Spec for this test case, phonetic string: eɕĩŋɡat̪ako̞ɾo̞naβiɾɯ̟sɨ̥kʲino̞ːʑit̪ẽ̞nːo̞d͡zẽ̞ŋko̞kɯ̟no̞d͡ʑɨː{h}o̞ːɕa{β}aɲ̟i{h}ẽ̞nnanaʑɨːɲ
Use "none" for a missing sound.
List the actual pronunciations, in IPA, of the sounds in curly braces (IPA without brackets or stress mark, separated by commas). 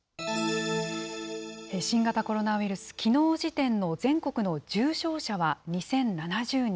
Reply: ɕ, β, s